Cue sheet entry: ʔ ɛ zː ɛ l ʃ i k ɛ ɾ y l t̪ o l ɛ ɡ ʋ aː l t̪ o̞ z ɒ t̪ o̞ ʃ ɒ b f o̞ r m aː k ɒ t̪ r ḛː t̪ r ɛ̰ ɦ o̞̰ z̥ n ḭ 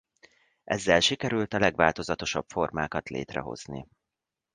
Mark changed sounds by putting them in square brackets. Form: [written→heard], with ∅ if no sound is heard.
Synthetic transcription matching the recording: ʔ ɛ zː ɛ l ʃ i k ɛ ɾ y l t̪ [o→ɒ] l ɛ ɡ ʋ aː l t̪ o̞ z ɒ t̪ o̞ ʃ ɒ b f o̞ r m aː k ɒ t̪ [r→l] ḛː t̪ r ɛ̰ ɦ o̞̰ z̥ n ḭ